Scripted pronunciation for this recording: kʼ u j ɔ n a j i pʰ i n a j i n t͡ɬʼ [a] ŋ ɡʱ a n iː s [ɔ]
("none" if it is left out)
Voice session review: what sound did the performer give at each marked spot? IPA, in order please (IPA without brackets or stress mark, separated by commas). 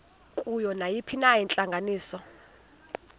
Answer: a, ɔ